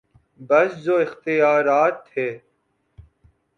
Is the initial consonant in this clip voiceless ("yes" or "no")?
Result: no